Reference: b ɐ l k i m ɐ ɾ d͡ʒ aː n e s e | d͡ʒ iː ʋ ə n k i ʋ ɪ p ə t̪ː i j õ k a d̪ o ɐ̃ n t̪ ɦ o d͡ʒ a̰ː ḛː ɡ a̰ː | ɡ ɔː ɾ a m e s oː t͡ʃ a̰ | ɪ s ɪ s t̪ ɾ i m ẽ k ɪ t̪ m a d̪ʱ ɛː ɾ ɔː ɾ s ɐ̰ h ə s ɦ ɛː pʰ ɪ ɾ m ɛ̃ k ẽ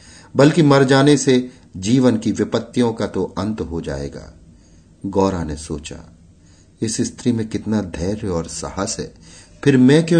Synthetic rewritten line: b ɐ l k i m ɐ ɾ d͡ʒ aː n e s e | d͡ʒ iː ʋ ə n k i ʋ ɪ p ə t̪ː i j õ k a t̪ o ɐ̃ n t̪ ɦ o d͡ʒ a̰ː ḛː ɡ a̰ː | ɡ ɔː ɾ a n e s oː t͡ʃ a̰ | ɪ s ɪ s t̪ ɾ i m ẽ k ɪ t̪ n a d̪ʱ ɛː ɾ ɔː ɾ s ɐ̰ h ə s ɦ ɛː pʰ ɪ ɾ m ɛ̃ k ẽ